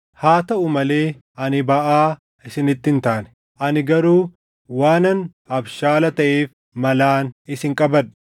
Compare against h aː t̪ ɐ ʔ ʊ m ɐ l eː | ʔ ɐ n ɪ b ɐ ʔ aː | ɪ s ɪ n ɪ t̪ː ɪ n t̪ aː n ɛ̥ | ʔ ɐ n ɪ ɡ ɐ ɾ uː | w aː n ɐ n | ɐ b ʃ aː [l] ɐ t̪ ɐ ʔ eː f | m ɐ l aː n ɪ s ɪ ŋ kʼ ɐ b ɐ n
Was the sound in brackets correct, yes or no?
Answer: yes